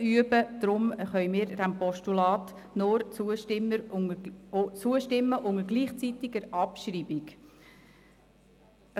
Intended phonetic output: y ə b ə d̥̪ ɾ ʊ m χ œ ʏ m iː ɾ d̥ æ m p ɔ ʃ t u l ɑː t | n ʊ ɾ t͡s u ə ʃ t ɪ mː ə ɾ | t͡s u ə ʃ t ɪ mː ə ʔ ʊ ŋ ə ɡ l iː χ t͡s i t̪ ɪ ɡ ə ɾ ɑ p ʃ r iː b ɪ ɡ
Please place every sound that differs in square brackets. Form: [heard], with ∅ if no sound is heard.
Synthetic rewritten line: y ə b ə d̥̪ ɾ ʊ m χ œ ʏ m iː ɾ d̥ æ m p ɔ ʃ t u l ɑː t | n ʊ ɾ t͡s u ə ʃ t ɪ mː ə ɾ | t͡s u ə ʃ t ɪ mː ə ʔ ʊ ŋ ə ɡ l iː χ t͡s i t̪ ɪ ɡ ə ɾ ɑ p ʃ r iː b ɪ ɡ